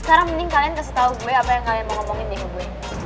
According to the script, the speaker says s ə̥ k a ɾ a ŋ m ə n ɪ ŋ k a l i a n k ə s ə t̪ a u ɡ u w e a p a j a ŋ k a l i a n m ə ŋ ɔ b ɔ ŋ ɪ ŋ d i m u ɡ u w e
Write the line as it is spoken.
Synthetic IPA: s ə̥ k a ɾ a ŋ m ə n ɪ ŋ k a l i a n k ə s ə t̪ a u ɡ u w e a p a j a ŋ k a l i a n m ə ŋ ɔ m ɔ ŋ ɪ n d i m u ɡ u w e